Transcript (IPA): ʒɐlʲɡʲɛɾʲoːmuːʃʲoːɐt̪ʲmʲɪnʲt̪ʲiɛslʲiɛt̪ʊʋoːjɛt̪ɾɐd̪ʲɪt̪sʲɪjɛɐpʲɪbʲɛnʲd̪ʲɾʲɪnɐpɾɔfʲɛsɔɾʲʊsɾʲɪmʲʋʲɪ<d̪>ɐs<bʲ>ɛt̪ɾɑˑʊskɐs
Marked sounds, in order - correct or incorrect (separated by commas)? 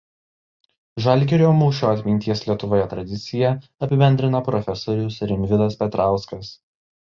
correct, incorrect